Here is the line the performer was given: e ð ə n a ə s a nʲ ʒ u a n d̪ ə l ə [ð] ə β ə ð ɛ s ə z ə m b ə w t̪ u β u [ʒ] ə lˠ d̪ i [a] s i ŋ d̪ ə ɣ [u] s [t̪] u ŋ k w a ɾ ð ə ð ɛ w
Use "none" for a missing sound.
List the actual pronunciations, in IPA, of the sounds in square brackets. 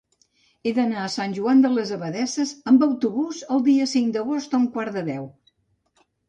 z, z, ə, o, t̪

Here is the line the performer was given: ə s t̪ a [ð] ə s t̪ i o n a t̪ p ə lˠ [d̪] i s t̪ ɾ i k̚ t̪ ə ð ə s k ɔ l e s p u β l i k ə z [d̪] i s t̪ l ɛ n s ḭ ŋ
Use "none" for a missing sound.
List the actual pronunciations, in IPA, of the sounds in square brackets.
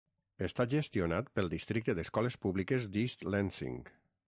ʒ, d̪, d̪

